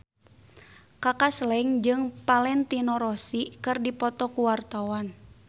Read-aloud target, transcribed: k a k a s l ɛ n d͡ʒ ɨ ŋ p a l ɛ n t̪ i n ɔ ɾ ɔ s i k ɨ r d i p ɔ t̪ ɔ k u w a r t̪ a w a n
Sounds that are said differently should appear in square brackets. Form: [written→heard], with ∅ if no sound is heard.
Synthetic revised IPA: k a k a s l ɛ [n→ŋ] d͡ʒ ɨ ŋ p a l ɛ n t̪ i n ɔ ɾ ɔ s i k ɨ r d i p ɔ t̪ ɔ k u w a r t̪ a w a n